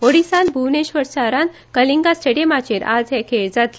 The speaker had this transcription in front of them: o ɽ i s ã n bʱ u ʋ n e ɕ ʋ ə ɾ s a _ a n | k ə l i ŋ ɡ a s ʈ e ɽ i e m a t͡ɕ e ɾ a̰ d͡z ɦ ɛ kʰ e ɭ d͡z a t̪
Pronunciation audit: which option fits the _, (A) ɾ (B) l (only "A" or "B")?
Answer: A